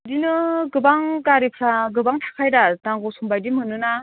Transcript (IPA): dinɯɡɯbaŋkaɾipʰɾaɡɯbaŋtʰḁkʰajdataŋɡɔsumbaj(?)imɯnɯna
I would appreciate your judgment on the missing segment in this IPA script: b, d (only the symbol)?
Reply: d